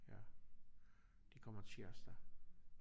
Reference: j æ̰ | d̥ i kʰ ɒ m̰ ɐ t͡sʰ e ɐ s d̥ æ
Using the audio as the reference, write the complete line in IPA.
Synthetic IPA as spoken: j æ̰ | d̥ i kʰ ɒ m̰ ɐ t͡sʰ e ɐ s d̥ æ